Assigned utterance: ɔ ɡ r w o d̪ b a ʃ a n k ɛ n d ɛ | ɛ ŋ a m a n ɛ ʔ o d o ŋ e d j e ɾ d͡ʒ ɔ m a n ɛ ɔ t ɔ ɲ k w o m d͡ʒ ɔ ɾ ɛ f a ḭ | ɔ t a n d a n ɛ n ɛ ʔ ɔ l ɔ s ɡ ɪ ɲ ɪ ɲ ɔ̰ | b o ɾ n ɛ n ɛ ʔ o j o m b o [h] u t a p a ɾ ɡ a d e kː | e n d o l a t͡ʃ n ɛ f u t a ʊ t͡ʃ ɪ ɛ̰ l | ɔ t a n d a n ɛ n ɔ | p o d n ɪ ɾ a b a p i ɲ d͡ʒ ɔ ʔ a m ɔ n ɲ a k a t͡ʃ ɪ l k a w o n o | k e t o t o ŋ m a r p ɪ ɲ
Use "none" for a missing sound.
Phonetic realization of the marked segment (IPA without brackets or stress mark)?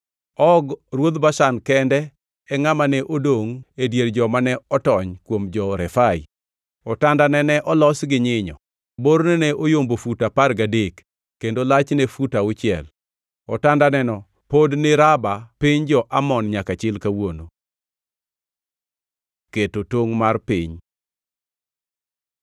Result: f